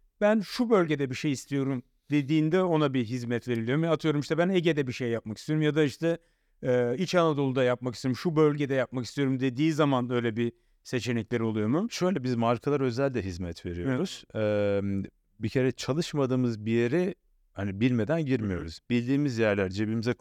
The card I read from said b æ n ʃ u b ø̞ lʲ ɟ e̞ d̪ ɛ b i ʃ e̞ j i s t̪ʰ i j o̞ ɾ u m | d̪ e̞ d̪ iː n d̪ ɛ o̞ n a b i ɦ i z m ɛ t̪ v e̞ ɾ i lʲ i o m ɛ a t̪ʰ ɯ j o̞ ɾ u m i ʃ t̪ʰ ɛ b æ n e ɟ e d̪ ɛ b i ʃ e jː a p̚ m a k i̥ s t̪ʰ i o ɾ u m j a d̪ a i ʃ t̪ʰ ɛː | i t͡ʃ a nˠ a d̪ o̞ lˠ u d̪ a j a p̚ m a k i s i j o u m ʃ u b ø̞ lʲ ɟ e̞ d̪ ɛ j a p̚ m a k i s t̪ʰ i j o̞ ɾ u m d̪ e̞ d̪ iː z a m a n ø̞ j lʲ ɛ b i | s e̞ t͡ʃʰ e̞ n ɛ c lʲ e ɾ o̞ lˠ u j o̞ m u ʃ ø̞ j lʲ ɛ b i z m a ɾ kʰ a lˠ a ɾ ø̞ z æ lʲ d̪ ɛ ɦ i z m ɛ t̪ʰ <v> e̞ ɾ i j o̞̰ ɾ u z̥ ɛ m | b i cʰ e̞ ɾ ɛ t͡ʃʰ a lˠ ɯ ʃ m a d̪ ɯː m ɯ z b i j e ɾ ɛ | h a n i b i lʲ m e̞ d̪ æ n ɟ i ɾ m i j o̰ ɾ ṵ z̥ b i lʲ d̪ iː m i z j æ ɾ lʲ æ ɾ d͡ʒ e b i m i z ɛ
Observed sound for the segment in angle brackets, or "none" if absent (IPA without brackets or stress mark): v